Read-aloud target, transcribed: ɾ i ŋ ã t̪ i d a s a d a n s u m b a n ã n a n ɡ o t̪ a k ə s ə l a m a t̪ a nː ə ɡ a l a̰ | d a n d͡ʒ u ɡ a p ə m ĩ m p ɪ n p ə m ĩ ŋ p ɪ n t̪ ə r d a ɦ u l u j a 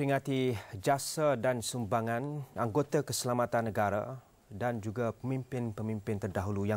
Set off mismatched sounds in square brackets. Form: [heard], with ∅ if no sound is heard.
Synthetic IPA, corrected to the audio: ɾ i ŋ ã t̪ i [d͡ʒ] a s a d a n s u m b a [ŋ] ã n a [ŋ] ɡ o t̪ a k ə s ə l a m a t̪ a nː ə ɡ a [ɾ] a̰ | d a n d͡ʒ u ɡ a p ə m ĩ m p ɪ n p ə m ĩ [m] p ɪ n t̪ ə r d a ɦ u l u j a